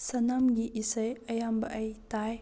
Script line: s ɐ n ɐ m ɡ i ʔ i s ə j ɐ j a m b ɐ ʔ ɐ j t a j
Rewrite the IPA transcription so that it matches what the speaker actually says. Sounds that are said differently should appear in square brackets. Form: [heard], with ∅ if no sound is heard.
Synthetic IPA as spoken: s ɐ n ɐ m ɡ i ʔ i s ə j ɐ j a m b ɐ ʔ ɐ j t a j